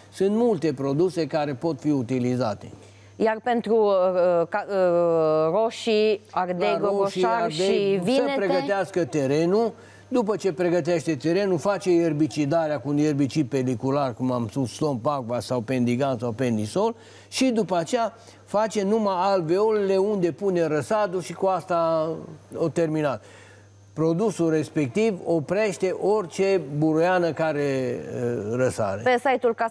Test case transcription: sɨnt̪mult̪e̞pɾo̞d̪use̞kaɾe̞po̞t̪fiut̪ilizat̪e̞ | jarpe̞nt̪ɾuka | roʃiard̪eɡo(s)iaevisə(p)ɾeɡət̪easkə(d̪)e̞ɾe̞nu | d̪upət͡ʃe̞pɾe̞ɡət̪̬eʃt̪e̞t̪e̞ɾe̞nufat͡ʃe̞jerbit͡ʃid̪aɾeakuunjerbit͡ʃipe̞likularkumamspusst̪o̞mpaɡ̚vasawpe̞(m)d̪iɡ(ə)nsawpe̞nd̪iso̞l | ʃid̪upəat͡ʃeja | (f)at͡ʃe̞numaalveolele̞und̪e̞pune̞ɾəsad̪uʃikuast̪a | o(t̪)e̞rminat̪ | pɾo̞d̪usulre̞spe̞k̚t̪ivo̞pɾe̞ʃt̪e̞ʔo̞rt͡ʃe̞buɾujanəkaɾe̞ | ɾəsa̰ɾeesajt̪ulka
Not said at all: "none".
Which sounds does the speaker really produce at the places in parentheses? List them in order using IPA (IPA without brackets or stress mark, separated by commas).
ʃ, p, t̪, n, a, f, t̪